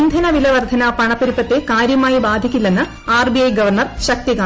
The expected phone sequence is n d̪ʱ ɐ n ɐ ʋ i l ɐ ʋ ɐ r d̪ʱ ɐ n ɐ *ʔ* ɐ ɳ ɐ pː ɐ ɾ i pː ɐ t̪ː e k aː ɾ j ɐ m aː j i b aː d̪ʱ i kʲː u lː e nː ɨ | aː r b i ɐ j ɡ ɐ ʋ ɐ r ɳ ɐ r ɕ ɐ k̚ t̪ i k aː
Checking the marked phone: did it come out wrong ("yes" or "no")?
yes